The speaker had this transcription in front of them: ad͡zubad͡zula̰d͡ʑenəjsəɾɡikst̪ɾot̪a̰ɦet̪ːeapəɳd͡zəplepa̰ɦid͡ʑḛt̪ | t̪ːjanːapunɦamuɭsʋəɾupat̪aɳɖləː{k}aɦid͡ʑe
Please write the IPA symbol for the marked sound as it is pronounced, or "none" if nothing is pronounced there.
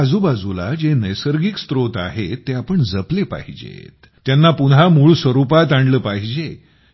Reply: p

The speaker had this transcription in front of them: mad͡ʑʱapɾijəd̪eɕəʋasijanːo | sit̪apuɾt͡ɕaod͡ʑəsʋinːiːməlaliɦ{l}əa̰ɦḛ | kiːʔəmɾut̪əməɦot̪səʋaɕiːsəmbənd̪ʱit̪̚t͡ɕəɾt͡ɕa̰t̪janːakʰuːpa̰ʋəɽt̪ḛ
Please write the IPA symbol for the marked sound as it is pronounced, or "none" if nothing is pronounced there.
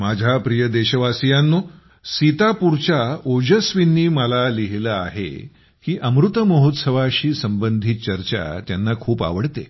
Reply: l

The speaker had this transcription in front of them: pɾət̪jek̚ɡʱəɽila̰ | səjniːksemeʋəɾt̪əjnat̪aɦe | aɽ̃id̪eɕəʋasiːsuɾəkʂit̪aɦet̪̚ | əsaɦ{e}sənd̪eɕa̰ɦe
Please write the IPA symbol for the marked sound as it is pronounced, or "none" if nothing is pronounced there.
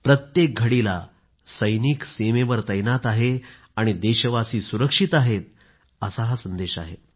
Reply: a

